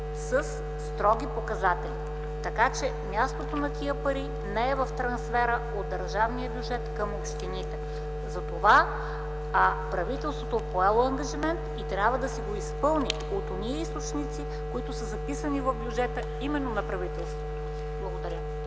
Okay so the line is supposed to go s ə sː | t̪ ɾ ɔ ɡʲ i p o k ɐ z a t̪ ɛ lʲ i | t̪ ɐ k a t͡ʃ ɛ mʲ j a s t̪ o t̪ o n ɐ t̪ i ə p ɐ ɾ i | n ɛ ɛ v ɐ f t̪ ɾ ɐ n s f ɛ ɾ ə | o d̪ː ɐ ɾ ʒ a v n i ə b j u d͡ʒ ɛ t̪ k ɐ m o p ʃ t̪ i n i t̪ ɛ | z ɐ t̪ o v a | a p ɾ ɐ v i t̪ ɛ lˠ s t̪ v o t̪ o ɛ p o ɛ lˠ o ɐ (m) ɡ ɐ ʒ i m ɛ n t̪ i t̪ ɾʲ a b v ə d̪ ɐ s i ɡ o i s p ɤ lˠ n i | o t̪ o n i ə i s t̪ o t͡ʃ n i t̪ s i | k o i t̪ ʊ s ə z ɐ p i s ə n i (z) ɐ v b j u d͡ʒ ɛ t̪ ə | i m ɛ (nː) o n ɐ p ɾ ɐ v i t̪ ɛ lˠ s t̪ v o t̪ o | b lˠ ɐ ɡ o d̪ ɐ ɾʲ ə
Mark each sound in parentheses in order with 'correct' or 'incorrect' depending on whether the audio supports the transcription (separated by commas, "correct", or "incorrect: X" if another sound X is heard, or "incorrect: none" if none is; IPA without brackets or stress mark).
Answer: incorrect: ŋ, incorrect: v, correct